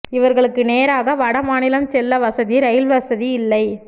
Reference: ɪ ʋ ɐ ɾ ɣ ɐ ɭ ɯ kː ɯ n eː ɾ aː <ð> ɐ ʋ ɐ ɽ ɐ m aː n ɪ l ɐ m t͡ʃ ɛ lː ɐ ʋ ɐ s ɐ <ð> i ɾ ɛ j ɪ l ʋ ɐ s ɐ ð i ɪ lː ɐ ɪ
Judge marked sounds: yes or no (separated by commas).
no, yes